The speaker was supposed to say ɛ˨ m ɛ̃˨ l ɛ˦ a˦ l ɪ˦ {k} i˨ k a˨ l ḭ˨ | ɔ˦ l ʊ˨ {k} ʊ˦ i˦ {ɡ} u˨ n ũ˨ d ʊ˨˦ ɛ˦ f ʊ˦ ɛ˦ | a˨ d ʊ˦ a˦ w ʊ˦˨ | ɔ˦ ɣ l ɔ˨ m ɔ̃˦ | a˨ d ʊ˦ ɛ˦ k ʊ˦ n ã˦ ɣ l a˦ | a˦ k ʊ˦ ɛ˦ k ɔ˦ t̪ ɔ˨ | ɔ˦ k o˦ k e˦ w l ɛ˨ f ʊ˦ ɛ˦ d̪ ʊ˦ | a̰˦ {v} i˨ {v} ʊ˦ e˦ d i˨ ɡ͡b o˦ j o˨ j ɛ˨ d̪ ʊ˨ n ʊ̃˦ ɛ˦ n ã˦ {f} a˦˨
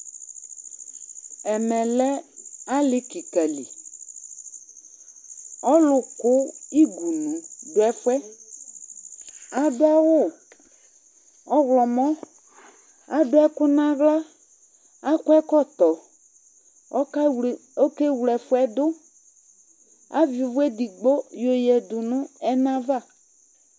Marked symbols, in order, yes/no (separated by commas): yes, yes, yes, yes, yes, no